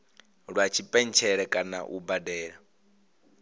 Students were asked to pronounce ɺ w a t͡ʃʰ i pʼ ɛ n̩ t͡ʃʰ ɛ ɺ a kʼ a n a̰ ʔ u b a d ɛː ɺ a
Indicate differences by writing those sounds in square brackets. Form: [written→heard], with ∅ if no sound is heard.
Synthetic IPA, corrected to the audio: ɺ w a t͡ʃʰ i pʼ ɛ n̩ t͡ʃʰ ɛ ɺ [a→ɛ] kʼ a n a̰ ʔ u b a d ɛː ɺ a